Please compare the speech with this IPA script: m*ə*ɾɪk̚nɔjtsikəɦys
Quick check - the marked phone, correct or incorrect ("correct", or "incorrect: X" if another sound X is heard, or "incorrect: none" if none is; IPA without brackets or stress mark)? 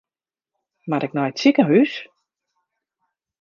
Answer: incorrect: a